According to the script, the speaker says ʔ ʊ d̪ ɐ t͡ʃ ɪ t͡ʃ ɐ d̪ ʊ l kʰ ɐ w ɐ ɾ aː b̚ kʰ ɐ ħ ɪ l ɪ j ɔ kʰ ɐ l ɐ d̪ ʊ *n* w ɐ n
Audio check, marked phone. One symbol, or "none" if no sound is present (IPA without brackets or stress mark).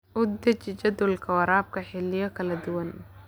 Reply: none